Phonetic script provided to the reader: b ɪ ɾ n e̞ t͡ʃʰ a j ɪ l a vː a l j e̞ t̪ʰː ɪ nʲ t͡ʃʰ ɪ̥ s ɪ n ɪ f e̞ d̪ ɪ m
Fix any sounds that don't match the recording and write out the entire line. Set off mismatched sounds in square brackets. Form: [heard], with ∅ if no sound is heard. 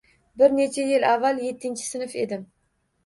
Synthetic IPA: b ɪ ɾ n e̞ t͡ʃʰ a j ɪ l a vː a l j e̞ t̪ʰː ɪ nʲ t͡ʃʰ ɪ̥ s ɪ n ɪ f e̞ d̪ ɪ m

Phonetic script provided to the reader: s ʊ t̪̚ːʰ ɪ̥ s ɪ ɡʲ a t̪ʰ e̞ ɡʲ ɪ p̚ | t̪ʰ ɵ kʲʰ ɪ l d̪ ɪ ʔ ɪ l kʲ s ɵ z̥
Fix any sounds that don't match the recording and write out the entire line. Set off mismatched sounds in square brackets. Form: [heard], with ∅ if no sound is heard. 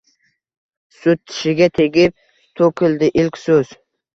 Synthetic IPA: s ʊ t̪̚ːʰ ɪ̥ [ʃ] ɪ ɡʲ a t̪ʰ e̞ ɡʲ ɪ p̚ | t̪ʰ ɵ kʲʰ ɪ l d̪ ɪ ʔ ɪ l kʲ s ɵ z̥

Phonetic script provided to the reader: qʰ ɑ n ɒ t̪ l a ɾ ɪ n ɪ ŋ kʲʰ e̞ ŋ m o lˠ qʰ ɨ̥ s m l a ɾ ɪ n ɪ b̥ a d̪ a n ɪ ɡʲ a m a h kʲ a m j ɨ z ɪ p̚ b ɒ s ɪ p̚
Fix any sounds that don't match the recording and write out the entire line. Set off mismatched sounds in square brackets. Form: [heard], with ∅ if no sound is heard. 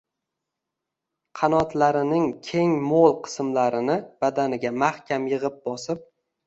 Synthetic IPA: qʰ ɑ n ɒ t̪ l a ɾ ɪ n ɪ ŋ kʲʰ e̞ ŋ m o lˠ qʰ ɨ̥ s m l a ɾ ɪ n ɪ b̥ a d̪ a n ɪ ɡʲ a m a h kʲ a m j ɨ [ʁ] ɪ p̚ b ɒ s ɪ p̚

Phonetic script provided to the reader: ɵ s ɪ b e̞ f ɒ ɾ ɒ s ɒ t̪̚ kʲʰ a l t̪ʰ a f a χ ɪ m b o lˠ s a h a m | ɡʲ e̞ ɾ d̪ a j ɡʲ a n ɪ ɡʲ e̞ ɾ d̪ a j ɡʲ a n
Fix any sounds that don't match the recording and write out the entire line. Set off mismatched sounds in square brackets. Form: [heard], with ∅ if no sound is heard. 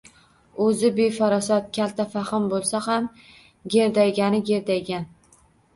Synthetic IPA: ɵ [z] ɪ b e̞ f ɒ ɾ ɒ s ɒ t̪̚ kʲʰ a l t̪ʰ a f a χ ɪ m b o lˠ s a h a m | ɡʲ e̞ ɾ d̪ a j ɡʲ a n ɪ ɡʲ e̞ ɾ d̪ a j ɡʲ a n

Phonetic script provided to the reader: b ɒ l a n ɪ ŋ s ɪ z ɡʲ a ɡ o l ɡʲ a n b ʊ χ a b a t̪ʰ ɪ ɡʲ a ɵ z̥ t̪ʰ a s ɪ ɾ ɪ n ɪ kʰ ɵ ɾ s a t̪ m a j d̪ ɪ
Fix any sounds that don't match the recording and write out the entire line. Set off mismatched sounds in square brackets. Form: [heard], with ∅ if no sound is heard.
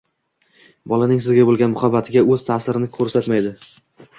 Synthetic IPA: b ɒ l a n ɪ ŋ s ɪ z ɡʲ a [b] o l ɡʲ a n [m] ʊ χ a b a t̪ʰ ɪ ɡʲ a ɵ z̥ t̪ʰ a s ɪ ɾ ɪ n ɪ kʰ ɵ ɾ s a t̪ m a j d̪ ɪ

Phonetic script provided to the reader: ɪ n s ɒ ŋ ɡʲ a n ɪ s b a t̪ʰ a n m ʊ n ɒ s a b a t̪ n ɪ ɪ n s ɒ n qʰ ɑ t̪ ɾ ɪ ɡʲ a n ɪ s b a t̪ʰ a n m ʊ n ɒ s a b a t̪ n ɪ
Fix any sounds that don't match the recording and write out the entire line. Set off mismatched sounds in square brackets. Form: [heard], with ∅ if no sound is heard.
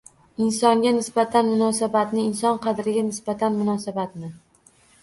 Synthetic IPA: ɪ n s ɒ ŋ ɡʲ a n ɪ s b a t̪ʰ a n m ʊ n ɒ s a b a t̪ n ɪ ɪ n s ɒ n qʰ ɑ [d̪] ɾ ɪ ɡʲ a n ɪ s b a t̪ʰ a n m ʊ n ɒ s a b a t̪ n ɪ

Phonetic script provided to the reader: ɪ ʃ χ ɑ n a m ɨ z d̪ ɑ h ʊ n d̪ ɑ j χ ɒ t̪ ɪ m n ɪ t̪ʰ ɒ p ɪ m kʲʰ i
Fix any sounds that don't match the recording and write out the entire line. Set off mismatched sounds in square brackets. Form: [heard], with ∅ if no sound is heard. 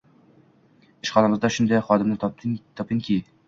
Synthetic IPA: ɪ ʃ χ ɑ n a m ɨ z d̪ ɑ [ʃ] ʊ n d̪ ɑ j χ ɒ [d̪] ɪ m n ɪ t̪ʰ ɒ p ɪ [ŋ] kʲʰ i

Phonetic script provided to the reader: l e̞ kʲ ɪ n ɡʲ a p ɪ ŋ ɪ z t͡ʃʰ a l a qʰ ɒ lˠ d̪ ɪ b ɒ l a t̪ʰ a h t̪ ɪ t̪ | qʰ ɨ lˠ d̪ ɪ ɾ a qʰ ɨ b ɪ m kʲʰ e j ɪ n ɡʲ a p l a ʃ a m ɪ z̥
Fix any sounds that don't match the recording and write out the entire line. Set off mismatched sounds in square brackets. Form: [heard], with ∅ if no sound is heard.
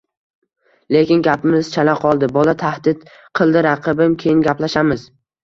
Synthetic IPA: l e̞ kʲ ɪ n ɡʲ a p ɪ [m] ɪ z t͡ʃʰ a l a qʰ ɒ lˠ d̪ ɪ b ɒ l a t̪ʰ a h [d̪] ɪ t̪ | qʰ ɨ lˠ d̪ ɪ ɾ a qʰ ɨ b ɪ m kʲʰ e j ɪ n ɡʲ a p l a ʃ a m ɪ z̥

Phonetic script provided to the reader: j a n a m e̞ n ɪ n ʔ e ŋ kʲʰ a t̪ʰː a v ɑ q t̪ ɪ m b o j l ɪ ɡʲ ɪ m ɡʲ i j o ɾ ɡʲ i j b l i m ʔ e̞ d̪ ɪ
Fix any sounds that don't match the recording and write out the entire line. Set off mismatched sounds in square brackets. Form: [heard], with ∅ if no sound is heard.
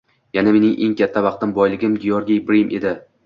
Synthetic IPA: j a n a m e̞ n ɪ [ŋ] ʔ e ŋ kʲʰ a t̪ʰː a v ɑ q t̪ ɪ m b [ɒ] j l ɪ ɡʲ ɪ m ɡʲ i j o ɾ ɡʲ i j b [ɾ] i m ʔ e̞ d̪ ɪ

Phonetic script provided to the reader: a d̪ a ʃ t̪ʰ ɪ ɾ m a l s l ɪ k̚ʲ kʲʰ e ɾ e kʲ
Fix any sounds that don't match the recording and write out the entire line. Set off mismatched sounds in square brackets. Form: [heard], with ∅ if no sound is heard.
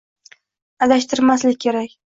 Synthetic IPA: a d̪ a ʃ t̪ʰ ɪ ɾ m a [∅] s l ɪ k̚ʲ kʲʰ e ɾ [a] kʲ

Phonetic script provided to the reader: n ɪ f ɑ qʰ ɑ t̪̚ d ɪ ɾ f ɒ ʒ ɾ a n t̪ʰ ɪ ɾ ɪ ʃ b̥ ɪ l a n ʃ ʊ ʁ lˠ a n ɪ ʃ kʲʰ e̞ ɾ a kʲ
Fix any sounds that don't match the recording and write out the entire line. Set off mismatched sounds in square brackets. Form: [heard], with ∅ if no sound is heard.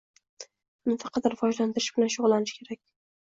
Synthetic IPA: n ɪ f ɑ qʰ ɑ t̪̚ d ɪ ɾ f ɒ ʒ [l] a n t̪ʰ ɪ ɾ ɪ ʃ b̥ ɪ l a n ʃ ʊ ʁ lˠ a n ɪ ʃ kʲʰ e̞ ɾ a kʲ

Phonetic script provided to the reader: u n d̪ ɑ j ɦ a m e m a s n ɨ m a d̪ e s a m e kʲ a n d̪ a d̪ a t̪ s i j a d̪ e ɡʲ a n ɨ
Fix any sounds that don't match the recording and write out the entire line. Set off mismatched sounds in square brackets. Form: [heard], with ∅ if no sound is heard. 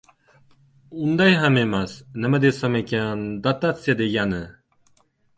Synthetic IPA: u n d̪ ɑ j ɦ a m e m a s n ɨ m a d̪ e s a m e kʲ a n d̪ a [t̪] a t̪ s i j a d̪ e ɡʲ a n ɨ

